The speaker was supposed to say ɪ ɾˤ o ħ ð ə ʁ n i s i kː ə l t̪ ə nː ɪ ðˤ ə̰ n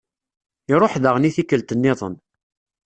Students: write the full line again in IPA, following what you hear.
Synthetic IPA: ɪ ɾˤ o ħ ð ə ʁ n i θ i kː ə l t̪ ə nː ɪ ðˤ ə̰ n

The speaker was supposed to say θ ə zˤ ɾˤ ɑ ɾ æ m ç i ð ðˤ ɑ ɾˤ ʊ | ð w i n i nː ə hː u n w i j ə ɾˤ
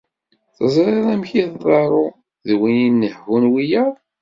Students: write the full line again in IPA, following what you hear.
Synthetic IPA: θ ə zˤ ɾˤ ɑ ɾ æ m ç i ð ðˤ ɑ ɾˤ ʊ | ð w i n i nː ə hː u n w i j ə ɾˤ

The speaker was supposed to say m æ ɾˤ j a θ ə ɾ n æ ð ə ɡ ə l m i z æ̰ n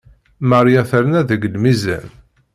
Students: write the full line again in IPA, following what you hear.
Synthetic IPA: m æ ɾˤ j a θ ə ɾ n æ ð ə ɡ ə l m i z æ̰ n

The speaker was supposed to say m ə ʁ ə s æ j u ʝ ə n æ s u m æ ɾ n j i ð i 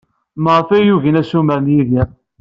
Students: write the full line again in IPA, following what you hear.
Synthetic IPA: m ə ʁ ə f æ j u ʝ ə n æ s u m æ ɾ n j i ð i

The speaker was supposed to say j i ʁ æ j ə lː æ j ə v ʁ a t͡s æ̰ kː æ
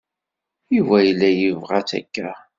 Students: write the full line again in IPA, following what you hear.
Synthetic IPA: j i v æ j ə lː æ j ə v ʁ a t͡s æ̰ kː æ

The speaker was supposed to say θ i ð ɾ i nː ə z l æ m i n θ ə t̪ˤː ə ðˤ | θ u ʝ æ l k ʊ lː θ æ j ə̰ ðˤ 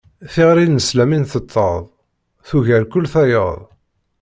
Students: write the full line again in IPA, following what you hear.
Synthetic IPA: θ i ʁ ɾ i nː ə s l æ m i n θ ə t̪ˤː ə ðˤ | θ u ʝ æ ɾ k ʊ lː θ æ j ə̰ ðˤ

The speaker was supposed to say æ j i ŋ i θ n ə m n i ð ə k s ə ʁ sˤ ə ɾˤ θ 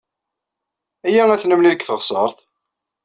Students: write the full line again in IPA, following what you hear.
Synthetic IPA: æ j æ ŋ æ θ n ə m n i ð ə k θ ə ʁ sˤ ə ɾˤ θ

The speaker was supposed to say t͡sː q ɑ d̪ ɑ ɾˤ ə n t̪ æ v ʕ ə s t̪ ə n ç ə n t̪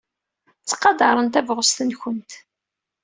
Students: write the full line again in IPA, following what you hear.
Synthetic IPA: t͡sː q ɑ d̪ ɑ ɾˤ ə n t̪ æ v ʁ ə s t̪ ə n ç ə n t̪

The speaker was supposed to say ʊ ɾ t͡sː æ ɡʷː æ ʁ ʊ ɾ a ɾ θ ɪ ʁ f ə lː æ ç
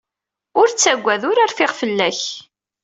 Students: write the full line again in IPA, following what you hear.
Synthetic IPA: ʊ ɾ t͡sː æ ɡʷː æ ð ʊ ɾ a ɾ f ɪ ʁ f ə lː æ ç

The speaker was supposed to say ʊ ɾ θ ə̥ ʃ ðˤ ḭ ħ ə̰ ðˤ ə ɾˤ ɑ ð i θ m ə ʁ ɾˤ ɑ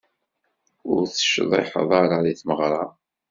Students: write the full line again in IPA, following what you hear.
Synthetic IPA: ʊ ɾ θ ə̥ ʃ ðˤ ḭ ħ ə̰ ðˤ ɑ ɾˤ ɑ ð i θ m ə ʁ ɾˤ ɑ

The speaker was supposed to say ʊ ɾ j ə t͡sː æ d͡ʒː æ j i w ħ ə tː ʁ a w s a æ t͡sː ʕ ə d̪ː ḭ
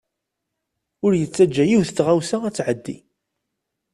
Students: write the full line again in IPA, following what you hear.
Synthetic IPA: ʊ ɾ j ə t͡sː æ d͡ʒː æ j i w θ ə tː ʁ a w s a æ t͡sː ʕ ə d̪ː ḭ

